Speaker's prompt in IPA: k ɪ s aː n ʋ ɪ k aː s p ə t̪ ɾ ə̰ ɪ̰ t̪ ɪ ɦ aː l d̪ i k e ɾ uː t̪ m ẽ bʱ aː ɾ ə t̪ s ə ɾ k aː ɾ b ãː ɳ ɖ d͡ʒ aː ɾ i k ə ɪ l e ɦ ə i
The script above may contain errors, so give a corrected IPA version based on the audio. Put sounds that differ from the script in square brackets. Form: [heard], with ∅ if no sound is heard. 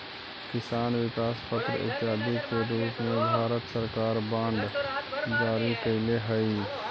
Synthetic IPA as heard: k ɪ s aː n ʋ ɪ k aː s p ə t̪ ɾ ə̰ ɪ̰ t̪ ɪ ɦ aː [∅] d̪ i k e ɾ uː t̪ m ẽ bʱ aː ɾ ə t̪ s ə ɾ k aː ɾ b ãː ɳ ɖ d͡ʒ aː ɾ i k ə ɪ l e ɦ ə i